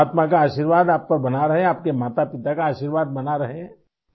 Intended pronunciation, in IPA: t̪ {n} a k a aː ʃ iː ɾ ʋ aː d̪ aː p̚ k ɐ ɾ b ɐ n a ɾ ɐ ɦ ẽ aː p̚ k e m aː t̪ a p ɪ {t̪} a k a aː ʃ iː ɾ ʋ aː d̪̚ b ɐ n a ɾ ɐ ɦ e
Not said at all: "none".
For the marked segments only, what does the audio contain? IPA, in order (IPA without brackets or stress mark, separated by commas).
m, t̪